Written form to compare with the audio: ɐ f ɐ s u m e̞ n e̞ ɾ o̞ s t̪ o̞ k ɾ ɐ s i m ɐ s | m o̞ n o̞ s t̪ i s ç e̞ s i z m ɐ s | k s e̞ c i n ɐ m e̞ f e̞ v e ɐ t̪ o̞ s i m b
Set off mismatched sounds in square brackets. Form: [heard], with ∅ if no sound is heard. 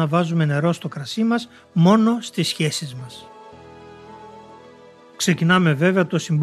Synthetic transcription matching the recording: ɐ [v] ɐ [z] u m e̞ n e̞ ɾ o̞ s t̪ o̞ k ɾ ɐ s i m ɐ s | m o̞ n o̞ s t̪ i s ç e̞ s i z m ɐ s | k s e̞ c i n ɐ m e̞ [v] e̞ v e ɐ t̪ o̞ s i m b